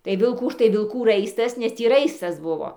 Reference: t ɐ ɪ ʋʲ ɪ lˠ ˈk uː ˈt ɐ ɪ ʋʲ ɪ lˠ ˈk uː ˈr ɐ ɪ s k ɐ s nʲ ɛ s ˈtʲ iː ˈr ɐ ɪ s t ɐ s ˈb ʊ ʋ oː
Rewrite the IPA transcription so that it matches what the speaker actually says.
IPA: t ɐ ɪ ʋʲ ɪ lˠ ˈk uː ˈt ɐ ɪ ʋʲ ɪ lˠ ˈk uː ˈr ɐ ɪ s t ɐ s nʲ ɛ s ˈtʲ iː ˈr ɐ ɪ s t ɐ s ˈb ʊ ʋ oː

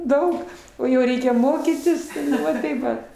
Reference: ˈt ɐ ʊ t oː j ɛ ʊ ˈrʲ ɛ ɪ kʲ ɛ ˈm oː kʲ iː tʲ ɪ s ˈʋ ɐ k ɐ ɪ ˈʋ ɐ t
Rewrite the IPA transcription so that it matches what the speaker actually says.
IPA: ˈd ɐ ʊ k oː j ɛ ʊ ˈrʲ ɛ ɪ kʲ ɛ ˈm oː kʲ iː tʲ ɪ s ˈʋ ɐ t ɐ ɪ ˈʋ ɐ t

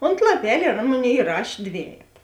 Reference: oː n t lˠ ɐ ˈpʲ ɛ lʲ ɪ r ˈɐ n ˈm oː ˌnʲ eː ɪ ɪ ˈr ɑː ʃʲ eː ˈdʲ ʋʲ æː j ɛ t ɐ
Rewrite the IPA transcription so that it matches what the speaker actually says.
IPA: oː n t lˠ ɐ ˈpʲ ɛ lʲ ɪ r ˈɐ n ˈm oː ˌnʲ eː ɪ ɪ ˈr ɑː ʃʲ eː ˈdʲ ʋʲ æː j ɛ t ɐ

